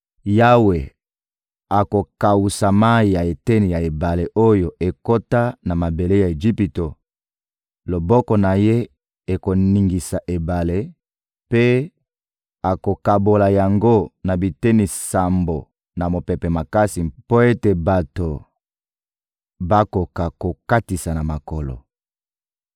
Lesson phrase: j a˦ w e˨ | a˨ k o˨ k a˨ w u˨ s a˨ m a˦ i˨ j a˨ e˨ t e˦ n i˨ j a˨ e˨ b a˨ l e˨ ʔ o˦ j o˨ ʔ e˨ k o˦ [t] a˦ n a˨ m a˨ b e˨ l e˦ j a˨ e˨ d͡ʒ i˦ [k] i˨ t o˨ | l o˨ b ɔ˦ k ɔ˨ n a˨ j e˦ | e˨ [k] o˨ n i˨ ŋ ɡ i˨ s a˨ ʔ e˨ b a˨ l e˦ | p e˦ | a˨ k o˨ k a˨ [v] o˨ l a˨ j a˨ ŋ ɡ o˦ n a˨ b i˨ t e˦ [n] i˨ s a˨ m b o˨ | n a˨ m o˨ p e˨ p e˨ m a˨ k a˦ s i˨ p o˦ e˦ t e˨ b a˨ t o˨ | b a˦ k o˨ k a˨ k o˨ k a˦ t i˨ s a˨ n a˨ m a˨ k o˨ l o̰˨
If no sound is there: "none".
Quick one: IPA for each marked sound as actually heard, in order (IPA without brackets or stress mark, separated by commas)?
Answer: t, p, k, b, n